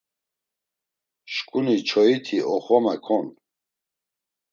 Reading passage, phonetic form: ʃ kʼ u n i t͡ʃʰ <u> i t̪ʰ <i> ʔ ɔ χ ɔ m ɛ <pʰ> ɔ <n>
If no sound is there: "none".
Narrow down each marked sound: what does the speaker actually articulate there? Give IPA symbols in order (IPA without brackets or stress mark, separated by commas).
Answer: ɔ, i, kʰ, n